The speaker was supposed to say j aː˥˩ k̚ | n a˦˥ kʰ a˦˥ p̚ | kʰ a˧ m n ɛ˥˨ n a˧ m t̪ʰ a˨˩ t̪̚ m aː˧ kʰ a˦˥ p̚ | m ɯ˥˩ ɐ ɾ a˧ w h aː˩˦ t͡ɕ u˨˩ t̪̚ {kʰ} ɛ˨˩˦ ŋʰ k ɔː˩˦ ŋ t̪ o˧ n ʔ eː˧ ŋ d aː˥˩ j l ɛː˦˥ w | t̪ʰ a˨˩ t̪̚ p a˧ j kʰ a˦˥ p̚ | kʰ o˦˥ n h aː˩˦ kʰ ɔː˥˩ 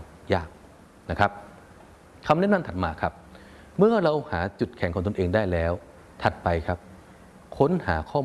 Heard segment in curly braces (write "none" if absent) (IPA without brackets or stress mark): kʰ